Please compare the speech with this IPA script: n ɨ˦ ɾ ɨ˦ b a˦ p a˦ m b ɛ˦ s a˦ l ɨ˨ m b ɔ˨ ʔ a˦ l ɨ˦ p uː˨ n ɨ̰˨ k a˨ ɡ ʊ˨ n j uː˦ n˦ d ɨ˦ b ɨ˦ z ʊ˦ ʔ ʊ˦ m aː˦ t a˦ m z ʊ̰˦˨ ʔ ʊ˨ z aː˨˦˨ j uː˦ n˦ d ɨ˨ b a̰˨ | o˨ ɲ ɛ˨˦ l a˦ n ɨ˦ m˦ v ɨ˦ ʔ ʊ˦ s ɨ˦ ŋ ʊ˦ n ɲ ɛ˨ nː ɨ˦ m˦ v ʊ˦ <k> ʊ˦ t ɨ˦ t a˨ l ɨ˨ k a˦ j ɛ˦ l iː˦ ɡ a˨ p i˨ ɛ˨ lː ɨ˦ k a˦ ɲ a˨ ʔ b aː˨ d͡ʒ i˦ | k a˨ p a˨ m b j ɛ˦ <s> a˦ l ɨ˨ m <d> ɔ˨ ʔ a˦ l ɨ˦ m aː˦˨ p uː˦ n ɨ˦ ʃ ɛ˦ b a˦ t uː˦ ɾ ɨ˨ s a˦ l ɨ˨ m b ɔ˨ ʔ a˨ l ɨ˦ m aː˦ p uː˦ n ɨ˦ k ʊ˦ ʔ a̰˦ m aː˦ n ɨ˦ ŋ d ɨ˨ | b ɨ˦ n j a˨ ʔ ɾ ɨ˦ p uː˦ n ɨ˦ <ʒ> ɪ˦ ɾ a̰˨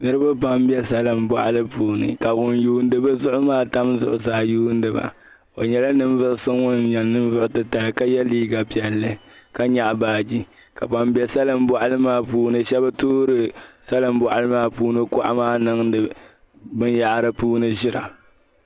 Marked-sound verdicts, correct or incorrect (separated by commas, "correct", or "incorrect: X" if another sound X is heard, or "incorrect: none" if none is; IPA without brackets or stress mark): incorrect: ʔ, correct, incorrect: b, correct